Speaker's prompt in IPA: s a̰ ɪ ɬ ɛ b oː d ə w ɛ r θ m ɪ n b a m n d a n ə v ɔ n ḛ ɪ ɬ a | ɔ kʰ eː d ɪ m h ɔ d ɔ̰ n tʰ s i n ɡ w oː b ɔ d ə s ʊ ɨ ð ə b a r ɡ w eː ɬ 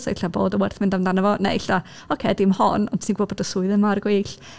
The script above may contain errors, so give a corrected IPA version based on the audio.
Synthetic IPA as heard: s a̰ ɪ ɬ a b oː d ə w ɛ r θ m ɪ n d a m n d a n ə v ɔ n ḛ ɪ ɬ a | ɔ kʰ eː d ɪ m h ɔ n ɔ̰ n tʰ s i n ɡ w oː b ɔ d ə s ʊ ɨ ð ə m a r ɡ w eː ɬ